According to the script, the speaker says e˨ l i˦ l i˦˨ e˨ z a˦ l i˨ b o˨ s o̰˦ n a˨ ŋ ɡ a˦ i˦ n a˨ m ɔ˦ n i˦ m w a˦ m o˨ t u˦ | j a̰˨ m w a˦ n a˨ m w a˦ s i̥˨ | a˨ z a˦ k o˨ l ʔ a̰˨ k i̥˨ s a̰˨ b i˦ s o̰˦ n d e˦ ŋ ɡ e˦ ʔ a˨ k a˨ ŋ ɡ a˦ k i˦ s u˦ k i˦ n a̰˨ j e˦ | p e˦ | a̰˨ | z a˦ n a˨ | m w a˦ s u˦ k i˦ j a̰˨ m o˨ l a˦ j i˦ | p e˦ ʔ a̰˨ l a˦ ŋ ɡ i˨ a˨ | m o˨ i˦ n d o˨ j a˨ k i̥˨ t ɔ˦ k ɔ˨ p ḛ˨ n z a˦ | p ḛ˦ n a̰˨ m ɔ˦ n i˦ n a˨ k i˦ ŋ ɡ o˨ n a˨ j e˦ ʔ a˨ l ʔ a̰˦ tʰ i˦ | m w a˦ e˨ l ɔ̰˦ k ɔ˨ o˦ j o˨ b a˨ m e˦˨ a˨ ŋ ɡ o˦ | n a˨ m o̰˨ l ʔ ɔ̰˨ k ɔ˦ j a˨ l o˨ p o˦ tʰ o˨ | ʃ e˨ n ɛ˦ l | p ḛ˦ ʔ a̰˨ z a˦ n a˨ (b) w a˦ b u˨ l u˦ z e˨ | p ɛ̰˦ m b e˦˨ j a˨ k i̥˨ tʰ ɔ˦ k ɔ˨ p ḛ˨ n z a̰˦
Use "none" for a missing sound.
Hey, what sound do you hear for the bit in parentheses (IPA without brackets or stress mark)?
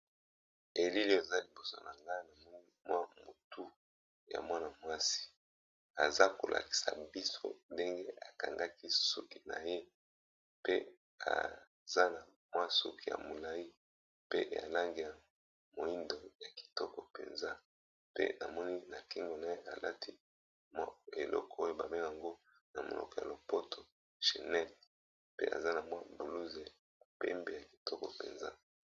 m